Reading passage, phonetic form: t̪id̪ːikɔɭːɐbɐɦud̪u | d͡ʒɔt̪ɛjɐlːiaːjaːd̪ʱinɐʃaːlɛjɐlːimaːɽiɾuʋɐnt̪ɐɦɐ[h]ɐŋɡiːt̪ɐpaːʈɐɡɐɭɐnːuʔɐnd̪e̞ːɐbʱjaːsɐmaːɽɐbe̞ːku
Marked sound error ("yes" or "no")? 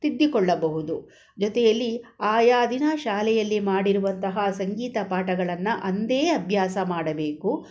yes